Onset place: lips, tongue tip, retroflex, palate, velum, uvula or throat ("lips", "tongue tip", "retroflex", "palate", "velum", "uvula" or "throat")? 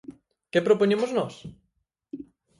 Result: velum